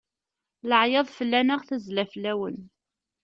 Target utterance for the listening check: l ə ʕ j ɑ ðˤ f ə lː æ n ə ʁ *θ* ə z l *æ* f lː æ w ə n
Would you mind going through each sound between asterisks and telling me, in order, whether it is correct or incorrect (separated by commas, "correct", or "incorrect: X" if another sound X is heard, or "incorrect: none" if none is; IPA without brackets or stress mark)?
correct, correct